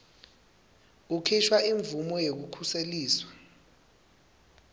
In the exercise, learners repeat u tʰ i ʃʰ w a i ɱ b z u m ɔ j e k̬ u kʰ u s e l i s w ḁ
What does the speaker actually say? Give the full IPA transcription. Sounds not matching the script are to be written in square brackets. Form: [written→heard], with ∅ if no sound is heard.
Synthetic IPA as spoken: u [tʰ→kʰ] i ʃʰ w a i ɱ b [z→v] u m ɔ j e k̬ u kʰ u s e l [i→iː] s w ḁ